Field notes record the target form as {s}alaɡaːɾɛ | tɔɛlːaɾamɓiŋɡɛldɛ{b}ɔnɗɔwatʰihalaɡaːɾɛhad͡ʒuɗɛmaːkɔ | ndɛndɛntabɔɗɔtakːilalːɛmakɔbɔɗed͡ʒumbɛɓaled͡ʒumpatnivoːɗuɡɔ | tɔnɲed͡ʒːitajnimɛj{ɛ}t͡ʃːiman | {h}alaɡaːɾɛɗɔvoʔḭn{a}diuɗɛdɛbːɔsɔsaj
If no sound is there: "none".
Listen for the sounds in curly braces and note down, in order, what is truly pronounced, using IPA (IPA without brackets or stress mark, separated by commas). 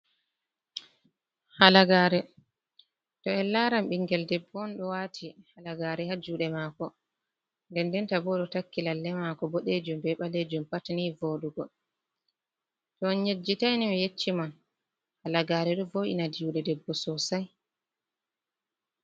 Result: h, bː, e, h, a